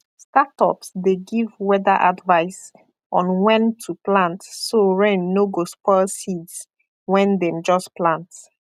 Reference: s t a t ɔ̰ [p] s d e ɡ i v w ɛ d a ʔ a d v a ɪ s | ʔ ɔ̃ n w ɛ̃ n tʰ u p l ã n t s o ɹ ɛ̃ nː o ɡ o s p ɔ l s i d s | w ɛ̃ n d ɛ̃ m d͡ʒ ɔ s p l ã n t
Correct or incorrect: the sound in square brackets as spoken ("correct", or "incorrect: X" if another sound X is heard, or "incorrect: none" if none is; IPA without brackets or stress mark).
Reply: correct